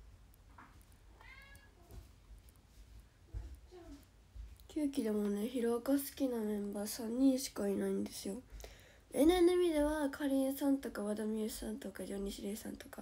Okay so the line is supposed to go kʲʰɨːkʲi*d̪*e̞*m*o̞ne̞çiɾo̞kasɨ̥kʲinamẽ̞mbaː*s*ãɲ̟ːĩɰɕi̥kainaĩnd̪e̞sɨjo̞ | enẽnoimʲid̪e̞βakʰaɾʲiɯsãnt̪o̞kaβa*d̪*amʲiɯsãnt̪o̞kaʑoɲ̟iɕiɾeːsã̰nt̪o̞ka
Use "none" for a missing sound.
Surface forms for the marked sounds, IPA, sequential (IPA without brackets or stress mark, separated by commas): d̪, m, s, d̪